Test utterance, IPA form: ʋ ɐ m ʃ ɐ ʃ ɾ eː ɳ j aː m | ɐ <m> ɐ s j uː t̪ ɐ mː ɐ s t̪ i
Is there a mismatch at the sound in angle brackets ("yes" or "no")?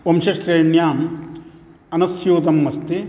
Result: yes